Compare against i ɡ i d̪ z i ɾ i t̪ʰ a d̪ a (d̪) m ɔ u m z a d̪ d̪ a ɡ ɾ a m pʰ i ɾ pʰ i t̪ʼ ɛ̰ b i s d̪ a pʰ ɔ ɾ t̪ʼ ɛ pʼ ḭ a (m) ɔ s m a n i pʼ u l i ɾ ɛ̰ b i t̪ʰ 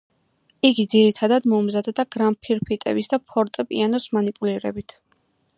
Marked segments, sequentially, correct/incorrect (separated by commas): correct, incorrect